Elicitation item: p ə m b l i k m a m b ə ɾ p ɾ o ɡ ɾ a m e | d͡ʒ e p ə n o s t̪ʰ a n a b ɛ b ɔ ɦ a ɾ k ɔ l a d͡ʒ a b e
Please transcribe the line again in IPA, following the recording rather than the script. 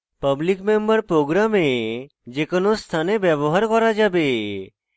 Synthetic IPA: p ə b l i k m e m b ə ɾ p ɾ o ɡ ɾ a m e | d͡ʒ e k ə n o s t̪ʰ a n e b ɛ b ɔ ɦ a ɾ k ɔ ɾ a d͡ʒ a b e